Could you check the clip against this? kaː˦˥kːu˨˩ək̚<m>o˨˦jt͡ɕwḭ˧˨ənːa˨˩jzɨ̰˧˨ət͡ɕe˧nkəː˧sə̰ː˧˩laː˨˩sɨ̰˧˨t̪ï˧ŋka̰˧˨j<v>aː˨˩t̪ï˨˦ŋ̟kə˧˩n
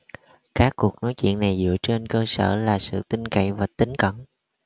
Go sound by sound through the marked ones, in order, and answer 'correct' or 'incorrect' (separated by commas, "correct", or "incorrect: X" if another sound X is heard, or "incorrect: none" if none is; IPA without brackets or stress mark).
incorrect: n, correct